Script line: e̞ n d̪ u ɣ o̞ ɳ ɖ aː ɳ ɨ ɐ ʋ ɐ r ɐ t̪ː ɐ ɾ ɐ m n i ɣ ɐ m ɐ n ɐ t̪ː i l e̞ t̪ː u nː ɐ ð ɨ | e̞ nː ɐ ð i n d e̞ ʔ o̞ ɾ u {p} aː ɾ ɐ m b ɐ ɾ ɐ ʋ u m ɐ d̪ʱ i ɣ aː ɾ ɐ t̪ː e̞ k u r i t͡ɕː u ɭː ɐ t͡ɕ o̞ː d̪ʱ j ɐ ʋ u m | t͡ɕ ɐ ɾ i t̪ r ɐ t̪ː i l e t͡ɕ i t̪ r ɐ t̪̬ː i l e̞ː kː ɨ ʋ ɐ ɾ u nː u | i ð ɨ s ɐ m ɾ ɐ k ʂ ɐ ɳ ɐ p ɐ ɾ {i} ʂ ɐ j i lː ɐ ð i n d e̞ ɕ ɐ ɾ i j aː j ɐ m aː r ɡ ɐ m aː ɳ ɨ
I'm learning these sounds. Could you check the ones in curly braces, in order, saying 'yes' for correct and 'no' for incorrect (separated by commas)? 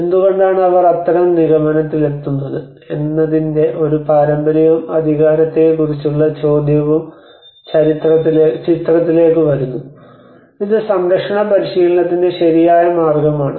yes, yes